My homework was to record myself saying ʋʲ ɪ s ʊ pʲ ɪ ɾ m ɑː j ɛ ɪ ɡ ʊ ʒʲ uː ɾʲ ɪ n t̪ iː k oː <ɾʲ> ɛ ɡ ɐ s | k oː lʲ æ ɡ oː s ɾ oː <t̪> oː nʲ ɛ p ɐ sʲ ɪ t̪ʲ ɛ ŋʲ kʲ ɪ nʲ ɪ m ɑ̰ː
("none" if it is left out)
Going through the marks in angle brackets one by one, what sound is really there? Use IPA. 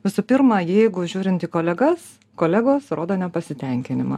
lʲ, d̪

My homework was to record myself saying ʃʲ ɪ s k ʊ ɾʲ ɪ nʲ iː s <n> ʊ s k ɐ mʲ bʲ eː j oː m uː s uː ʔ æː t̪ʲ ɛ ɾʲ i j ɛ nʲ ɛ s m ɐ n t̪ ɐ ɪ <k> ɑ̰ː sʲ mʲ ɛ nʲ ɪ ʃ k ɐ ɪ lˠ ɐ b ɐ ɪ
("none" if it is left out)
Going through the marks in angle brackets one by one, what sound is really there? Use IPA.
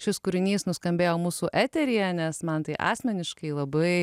n, ʔ

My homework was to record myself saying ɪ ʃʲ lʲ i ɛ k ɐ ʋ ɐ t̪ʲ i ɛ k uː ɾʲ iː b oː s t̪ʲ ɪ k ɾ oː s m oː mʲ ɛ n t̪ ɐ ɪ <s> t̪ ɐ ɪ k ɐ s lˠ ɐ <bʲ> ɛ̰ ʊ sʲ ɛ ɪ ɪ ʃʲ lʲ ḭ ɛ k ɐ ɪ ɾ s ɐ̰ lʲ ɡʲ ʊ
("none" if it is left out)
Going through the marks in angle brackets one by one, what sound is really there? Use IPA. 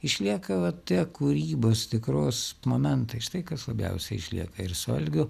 ʃ, bʲ

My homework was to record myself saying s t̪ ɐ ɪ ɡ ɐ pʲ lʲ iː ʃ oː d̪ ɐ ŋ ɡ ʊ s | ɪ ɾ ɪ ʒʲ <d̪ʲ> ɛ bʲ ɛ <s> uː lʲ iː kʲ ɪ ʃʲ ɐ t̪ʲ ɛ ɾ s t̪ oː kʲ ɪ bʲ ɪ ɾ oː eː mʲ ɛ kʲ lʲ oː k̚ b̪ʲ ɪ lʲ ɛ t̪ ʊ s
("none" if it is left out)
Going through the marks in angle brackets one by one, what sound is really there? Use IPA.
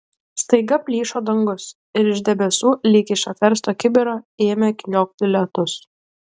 d̪ʲ, s

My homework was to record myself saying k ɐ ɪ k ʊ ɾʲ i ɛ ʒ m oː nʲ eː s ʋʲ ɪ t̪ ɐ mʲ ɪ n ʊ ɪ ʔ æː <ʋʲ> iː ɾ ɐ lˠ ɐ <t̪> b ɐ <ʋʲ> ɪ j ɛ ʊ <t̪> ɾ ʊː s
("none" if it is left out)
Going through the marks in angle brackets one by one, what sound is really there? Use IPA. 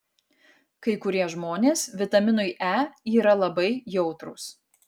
none, none, none, t̪

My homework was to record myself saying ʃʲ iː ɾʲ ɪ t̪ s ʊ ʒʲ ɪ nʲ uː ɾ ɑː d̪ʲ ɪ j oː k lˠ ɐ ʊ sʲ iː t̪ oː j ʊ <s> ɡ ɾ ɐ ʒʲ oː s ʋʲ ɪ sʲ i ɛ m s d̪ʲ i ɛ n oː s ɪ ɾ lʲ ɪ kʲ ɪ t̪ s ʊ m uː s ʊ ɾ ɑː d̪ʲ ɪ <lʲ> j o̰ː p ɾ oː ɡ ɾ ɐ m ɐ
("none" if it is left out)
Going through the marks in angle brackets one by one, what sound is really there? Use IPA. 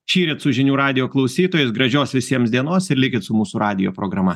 s, none

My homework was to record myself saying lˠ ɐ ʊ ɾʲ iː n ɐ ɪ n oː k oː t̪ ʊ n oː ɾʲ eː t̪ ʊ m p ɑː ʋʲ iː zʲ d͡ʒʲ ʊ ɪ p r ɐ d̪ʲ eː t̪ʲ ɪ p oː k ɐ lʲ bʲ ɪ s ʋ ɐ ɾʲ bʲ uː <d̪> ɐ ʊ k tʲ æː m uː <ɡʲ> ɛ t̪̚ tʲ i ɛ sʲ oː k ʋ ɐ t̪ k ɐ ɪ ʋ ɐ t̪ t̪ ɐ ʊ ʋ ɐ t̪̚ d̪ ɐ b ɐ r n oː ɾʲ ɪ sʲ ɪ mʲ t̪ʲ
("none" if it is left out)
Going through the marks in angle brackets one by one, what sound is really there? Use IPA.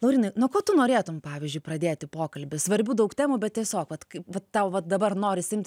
d̪, bʲ

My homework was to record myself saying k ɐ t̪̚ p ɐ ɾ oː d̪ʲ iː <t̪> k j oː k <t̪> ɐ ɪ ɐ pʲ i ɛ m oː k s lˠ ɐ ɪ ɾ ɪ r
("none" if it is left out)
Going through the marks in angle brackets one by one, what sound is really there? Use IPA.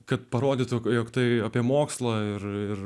t̪, t̪

